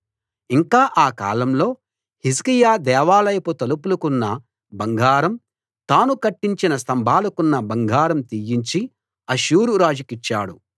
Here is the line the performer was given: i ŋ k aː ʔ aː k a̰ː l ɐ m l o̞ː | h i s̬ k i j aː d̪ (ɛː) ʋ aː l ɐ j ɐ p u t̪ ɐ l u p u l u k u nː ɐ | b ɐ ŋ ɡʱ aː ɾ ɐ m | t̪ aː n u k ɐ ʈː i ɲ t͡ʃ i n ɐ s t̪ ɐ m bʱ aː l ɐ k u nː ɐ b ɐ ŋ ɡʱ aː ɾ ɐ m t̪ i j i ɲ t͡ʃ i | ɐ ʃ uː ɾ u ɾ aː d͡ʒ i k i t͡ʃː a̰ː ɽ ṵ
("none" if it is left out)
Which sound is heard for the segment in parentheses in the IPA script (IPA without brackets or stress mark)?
ɛː